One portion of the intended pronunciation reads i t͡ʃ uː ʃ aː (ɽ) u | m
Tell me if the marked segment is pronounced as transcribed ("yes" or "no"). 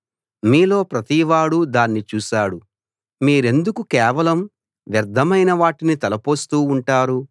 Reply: yes